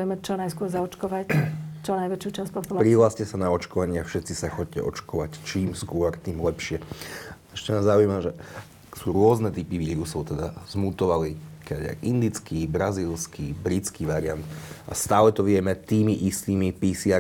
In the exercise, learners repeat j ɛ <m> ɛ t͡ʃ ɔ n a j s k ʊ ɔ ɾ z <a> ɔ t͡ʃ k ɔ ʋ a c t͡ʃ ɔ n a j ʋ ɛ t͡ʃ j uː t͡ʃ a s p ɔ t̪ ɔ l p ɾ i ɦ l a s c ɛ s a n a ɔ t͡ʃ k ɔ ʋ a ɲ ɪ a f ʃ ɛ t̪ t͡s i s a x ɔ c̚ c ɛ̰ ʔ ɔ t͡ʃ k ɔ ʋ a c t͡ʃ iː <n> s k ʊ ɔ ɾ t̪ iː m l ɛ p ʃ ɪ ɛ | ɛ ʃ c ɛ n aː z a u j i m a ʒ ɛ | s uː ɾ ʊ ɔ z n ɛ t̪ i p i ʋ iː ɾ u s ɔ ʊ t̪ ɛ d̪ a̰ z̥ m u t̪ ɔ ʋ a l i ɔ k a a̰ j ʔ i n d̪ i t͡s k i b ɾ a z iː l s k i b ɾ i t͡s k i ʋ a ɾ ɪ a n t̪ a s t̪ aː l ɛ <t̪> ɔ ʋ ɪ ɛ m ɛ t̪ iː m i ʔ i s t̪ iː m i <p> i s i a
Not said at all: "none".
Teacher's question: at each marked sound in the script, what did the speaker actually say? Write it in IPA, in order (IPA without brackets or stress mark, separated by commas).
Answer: m, a, m, t̪, p